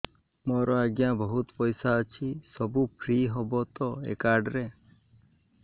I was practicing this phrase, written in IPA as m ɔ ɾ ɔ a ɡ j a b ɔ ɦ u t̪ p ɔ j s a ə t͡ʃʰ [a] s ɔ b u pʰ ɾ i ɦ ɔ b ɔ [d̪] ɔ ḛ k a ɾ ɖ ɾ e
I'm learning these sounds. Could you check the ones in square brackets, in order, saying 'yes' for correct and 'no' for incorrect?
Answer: no, no

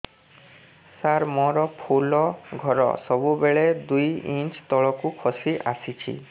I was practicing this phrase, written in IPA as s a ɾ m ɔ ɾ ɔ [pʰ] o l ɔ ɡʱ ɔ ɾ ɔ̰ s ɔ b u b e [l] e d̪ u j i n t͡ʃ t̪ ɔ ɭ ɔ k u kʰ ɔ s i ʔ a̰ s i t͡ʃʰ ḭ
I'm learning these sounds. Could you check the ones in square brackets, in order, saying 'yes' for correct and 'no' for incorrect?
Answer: yes, no

